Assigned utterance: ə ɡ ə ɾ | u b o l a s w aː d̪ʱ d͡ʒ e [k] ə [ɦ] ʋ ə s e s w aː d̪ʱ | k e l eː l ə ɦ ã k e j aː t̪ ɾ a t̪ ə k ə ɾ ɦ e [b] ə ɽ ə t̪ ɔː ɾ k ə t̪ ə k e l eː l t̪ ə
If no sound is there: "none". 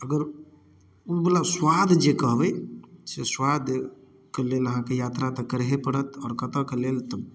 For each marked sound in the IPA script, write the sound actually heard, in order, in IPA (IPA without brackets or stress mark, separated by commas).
k, ɦ, p